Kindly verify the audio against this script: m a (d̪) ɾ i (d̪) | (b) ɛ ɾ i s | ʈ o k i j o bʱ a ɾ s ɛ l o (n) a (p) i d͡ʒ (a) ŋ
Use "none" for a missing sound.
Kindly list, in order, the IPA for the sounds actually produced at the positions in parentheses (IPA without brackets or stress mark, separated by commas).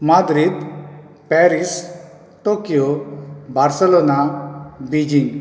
d̪, d̪, p, n, b, i